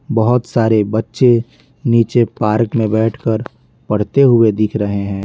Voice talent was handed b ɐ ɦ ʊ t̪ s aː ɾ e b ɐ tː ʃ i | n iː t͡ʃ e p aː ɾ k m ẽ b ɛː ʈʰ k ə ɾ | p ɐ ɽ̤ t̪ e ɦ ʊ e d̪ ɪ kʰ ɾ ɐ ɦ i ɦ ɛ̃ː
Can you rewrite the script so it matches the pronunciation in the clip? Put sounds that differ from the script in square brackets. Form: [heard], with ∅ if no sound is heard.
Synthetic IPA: b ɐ ɦ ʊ t̪ s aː ɾ e b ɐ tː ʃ [e] | n iː t͡ʃ e p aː ɾ k m ẽ b ɛː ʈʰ k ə ɾ | p ɐ ɽ̤ t̪ e ɦ ʊ e d̪ ɪ kʰ ɾ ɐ ɦ [e] ɦ ɛ̃ː